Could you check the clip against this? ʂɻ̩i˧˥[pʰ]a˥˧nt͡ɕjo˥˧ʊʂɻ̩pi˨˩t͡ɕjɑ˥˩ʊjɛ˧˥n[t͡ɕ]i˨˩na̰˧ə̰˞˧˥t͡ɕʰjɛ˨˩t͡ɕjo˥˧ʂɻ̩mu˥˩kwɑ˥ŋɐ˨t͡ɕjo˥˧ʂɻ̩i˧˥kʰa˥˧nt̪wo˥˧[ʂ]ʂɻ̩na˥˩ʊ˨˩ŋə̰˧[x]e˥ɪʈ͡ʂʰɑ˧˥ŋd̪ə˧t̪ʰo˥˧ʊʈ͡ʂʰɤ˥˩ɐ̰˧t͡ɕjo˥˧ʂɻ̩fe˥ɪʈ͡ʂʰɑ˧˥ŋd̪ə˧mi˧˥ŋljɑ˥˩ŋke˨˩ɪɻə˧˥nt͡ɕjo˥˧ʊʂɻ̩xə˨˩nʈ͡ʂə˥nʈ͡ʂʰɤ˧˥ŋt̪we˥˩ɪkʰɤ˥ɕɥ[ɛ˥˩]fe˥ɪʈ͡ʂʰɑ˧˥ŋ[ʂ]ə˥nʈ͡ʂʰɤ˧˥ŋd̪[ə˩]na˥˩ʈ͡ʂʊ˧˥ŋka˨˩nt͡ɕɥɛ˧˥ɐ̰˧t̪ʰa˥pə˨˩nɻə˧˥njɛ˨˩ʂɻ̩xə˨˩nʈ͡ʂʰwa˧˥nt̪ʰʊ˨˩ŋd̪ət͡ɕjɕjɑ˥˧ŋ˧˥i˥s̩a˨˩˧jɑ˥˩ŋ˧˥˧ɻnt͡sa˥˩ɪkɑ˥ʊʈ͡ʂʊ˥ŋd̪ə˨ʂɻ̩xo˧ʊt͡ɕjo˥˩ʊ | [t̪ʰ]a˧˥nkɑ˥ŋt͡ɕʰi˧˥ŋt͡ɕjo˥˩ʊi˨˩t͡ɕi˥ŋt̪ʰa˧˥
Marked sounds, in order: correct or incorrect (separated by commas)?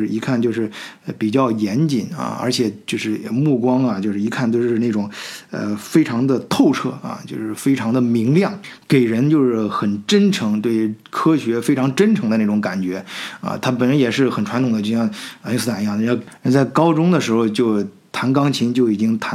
incorrect, correct, correct, incorrect, incorrect, incorrect, incorrect, correct